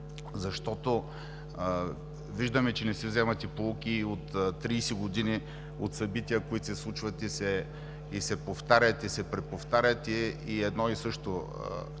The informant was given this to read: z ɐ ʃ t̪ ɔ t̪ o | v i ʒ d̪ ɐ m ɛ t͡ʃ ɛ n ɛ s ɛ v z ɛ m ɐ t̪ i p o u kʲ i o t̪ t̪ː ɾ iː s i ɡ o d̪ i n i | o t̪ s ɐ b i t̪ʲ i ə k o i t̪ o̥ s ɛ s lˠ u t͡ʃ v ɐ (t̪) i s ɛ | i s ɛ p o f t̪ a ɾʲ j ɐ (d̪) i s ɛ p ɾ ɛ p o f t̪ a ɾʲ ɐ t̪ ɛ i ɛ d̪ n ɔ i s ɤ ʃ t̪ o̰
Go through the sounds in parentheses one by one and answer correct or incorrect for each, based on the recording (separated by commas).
correct, incorrect